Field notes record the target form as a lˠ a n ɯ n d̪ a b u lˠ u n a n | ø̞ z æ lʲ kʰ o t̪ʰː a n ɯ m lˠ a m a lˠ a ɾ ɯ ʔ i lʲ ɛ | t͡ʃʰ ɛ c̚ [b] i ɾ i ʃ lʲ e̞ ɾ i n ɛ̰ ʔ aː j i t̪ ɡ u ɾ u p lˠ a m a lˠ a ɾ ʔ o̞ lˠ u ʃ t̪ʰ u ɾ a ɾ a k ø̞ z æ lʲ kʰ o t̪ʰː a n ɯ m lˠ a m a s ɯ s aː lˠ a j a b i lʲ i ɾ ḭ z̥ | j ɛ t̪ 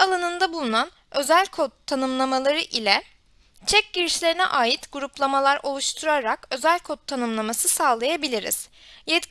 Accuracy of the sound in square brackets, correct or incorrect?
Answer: incorrect